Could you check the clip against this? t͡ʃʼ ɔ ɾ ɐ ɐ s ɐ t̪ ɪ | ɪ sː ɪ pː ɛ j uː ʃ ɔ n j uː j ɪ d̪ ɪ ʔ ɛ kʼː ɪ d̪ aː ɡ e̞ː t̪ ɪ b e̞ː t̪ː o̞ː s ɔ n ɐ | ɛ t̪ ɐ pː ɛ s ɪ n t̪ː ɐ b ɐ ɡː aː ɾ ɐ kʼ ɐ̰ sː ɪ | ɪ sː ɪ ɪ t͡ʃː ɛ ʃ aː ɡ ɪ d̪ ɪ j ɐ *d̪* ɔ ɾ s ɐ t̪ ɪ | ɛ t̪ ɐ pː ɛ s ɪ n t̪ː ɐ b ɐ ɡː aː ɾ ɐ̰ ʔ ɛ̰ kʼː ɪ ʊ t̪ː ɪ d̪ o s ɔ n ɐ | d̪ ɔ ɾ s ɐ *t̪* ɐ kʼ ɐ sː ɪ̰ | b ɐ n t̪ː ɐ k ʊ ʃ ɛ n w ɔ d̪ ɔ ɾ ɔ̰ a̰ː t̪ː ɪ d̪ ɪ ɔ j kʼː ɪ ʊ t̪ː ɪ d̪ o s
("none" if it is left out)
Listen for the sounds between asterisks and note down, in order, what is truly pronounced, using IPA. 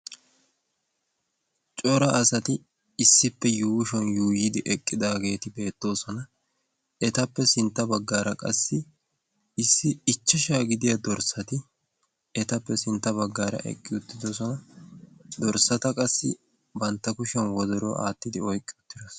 d̪, t̪

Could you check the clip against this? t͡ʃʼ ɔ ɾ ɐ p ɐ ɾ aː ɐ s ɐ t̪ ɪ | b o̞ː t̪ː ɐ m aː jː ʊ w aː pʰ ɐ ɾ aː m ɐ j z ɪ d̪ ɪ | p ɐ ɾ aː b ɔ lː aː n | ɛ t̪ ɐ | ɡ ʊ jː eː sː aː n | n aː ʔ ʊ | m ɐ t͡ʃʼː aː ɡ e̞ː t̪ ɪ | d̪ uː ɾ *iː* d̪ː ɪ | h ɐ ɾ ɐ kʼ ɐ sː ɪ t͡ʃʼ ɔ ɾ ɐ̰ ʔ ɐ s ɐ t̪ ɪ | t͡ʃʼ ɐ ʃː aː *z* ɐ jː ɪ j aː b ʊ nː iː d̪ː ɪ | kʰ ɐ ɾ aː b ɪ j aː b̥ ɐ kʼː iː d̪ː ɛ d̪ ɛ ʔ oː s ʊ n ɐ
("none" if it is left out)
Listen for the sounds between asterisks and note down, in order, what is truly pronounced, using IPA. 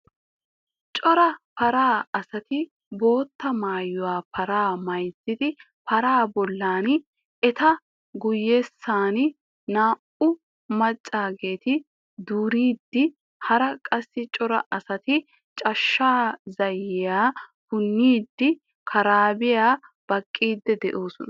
iː, z

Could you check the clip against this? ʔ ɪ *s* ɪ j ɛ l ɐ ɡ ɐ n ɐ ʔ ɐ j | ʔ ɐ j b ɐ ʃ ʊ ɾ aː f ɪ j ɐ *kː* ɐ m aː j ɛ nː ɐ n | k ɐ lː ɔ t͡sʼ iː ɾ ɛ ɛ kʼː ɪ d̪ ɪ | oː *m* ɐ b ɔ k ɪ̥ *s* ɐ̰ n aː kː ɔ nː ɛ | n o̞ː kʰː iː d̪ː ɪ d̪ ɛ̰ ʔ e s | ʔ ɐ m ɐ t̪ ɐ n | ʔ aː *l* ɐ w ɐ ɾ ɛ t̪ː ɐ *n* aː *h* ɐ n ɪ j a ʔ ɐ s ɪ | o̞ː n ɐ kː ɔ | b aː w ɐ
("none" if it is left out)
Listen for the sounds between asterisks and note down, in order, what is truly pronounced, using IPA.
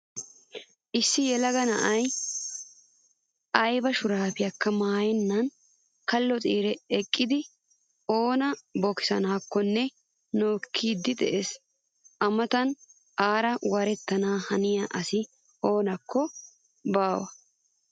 sː, kː, n, s, ɾ, n, h

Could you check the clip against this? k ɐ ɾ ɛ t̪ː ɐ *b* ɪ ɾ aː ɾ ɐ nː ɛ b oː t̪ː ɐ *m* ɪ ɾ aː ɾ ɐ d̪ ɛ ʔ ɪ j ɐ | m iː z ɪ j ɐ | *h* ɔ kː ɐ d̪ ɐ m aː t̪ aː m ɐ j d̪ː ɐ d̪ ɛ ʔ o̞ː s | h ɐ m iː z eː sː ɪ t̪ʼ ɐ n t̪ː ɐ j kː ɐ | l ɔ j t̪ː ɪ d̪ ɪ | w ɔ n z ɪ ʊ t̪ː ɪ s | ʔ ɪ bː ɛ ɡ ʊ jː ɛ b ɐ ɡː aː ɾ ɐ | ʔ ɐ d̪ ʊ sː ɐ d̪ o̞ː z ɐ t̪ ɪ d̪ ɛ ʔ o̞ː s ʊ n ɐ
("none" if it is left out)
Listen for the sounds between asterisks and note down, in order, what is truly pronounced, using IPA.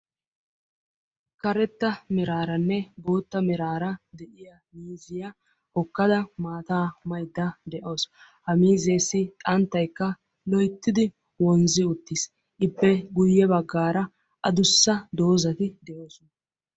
m, m, h

